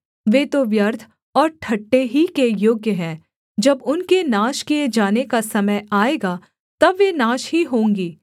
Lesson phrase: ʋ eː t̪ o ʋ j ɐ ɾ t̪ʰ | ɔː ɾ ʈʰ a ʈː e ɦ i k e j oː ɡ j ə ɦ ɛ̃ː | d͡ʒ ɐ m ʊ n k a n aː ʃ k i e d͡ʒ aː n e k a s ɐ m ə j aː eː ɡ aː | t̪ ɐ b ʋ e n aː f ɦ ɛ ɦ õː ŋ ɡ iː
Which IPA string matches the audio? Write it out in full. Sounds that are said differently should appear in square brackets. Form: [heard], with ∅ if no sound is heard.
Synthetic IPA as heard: ʋ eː t̪ o ʋ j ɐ ɾ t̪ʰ | ɔː ɾ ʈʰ [ɐ] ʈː e ɦ i k e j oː ɡ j ə ɦ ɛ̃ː | d͡ʒ ɐ [b] ʊ n k [e] n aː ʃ k i e d͡ʒ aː n e k a s ɐ m ə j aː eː ɡ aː | t̪ ɐ b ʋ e n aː [ʃ] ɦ [i] ɦ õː ŋ ɡ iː